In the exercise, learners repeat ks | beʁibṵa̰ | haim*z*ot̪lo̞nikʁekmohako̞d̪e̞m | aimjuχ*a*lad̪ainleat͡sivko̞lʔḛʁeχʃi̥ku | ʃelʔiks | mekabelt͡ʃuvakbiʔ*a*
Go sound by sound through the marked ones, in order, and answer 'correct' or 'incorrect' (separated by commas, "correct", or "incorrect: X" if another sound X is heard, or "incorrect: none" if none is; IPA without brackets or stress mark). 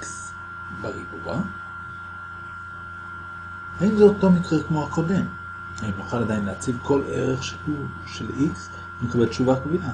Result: correct, correct, correct